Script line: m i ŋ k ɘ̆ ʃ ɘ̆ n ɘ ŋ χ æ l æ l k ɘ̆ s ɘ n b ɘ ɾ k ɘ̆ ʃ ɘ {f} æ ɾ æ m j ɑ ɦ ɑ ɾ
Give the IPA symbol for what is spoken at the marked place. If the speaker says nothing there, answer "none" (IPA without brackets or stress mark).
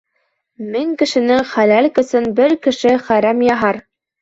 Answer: χ